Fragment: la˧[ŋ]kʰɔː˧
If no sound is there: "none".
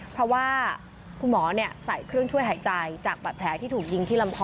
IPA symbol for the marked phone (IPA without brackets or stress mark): m